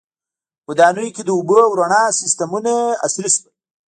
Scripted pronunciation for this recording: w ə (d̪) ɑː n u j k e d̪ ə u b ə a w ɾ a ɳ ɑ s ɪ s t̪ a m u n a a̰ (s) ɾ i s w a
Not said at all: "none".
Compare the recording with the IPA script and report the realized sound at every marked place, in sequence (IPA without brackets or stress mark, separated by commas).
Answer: d̪, s